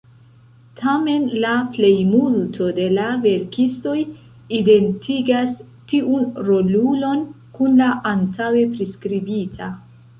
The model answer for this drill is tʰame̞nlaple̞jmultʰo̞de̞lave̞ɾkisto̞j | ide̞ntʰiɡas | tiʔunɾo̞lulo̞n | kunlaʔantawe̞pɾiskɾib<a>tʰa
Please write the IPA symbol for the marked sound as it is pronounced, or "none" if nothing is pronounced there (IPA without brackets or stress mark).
i